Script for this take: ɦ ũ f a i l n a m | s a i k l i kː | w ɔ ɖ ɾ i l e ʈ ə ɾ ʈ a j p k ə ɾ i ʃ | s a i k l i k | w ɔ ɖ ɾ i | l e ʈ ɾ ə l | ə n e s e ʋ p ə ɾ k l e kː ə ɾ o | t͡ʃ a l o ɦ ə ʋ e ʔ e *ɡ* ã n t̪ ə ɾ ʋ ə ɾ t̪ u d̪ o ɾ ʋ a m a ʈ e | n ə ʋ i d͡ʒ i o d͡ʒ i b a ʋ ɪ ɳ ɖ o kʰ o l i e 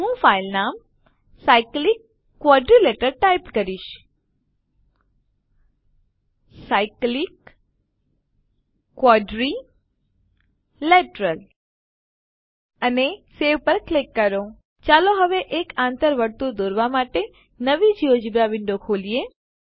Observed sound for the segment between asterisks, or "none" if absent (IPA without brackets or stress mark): k